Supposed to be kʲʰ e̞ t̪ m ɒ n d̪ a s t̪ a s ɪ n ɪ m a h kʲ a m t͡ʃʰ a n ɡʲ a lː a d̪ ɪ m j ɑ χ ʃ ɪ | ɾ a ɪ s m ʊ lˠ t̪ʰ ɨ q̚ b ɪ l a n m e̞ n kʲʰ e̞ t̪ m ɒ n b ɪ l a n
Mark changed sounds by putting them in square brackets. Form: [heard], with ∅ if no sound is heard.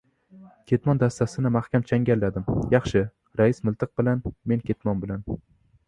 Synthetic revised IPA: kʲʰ e̞ t̪ m ɒ n d̪ a s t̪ a s ɪ n ɪ m a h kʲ a m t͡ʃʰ a [ŋ] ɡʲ a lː a d̪ ɪ m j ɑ χ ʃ ɪ | ɾ a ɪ s m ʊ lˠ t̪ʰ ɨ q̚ b ɪ l a n m e̞ n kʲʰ e̞ t̪ m ɒ n b ɪ l a n